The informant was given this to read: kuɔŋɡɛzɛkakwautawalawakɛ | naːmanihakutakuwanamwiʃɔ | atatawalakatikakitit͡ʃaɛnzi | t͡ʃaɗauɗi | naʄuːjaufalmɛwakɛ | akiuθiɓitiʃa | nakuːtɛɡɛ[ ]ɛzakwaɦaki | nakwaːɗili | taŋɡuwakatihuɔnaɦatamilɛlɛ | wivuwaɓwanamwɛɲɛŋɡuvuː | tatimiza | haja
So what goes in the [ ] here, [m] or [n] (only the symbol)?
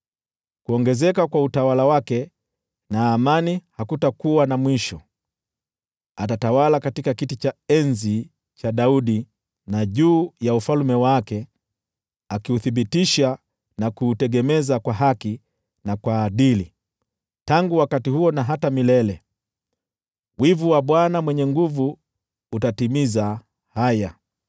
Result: m